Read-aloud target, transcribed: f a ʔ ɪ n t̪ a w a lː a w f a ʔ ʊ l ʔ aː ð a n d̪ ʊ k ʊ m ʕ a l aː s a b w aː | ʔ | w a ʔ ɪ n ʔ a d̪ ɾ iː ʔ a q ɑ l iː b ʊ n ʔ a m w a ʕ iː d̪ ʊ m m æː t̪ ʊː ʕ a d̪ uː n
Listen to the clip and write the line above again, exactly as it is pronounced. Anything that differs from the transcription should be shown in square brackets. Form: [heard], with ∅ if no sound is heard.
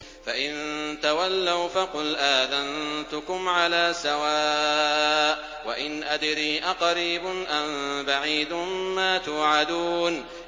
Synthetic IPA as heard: f a ʔ ɪ n t̪ a w a lː a w f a [q] ʊ l ʔ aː ð a n [t̪] ʊ k ʊ m ʕ a l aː s a [∅] w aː | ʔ | w a ʔ ɪ n ʔ a d̪ ɾ iː ʔ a q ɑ [ɾ] iː b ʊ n ʔ a m [b] a ʕ iː d̪ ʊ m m [aː] t̪ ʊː ʕ a d̪ uː n